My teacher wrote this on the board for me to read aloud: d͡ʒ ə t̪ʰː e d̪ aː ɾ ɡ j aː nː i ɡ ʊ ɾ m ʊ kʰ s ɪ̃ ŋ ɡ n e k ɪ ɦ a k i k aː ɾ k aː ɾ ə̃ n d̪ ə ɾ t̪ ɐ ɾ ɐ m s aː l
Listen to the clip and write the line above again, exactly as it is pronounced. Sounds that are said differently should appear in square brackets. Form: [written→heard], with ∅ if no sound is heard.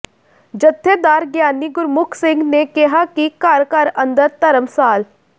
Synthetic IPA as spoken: d͡ʒ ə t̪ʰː e d̪ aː ɾ ɡ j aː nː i ɡ ʊ ɾ m ʊ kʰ s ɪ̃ ŋ ɡ n e k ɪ ɦ a k i k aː ɾ k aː ɾ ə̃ n d̪ ə ɾ t̪ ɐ ɾ [ɐ→ə] m s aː l